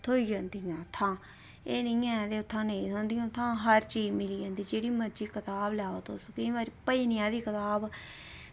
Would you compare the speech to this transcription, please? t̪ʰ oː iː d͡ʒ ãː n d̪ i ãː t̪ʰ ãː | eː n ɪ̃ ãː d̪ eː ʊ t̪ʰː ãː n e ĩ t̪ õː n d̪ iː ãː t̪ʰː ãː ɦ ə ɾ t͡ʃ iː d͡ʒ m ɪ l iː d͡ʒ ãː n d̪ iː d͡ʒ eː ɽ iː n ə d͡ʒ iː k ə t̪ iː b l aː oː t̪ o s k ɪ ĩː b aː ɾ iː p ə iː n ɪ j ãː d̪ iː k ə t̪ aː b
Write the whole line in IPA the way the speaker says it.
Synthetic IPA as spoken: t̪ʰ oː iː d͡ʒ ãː n d̪ i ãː t̪ʰ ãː | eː n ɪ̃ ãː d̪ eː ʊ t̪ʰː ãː n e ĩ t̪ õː n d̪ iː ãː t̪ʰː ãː ɦ ə ɾ t͡ʃ iː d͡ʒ m ɪ l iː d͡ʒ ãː n d̪ iː d͡ʒ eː ɽ iː m ə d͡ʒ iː k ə t̪ aː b l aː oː t̪ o s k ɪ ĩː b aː ɾ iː p ə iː n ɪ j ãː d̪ iː k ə t̪ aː b